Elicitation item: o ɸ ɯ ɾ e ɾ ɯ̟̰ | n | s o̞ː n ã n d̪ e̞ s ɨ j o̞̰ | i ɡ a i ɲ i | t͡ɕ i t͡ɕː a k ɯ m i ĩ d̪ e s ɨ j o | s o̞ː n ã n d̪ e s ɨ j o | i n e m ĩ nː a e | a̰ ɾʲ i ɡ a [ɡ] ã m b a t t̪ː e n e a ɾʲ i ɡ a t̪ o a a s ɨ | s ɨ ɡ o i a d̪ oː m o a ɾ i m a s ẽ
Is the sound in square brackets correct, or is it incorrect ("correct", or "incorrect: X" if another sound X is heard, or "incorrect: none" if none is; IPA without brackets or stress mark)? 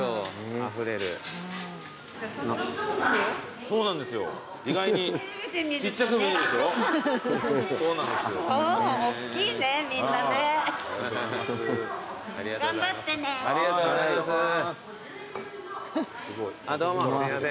correct